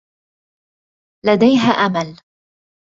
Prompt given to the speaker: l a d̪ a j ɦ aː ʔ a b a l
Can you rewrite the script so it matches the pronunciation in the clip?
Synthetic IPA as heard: l a d̪ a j ɦ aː ʔ a m a l